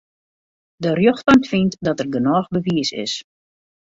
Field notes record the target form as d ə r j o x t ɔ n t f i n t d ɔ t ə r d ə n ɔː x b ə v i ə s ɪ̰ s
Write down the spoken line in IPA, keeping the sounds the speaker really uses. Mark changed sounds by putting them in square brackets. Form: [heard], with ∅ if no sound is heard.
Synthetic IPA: d ə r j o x t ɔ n t f i n t d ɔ t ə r [ɡ] ə n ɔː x b ə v i ə s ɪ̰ s